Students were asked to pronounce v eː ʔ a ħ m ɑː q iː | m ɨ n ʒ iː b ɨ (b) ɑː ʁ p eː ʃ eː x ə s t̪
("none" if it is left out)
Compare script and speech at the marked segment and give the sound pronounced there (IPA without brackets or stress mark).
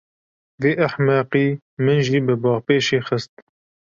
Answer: b